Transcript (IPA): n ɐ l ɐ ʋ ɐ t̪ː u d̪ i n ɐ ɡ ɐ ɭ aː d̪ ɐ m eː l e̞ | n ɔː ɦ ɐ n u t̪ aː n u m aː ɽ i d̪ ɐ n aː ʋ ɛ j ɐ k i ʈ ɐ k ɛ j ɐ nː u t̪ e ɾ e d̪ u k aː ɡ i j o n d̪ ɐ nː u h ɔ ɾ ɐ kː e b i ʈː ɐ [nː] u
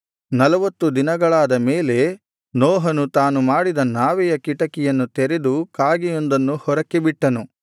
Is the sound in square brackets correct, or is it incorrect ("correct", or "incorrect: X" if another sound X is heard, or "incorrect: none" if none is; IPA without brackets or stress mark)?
incorrect: n